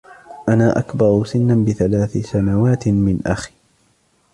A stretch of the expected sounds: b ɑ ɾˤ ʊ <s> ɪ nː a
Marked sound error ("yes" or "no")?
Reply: no